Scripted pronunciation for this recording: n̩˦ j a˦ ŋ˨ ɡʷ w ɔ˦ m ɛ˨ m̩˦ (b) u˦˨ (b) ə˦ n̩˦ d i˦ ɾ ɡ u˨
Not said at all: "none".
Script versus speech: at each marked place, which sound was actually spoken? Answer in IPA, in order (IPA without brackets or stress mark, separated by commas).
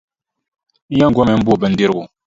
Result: b, b